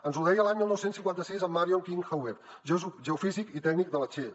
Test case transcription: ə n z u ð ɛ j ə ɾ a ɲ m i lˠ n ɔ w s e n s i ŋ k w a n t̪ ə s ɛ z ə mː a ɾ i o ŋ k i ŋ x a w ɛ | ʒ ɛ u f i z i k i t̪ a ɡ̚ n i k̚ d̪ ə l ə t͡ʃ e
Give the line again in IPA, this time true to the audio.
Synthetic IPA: ə n z u ð ɛ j ə l a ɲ m i lˠ n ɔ w s e n s i ŋ k w a n t̪ ə s i z ə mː a ɾ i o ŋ k i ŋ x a w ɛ | ʒ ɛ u f i z i k i t̪ ɛ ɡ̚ n i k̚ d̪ ə l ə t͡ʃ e